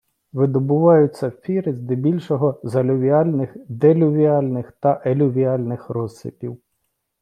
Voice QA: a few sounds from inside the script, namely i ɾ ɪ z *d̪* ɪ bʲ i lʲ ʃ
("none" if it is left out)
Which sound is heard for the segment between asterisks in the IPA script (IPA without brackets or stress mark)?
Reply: d̪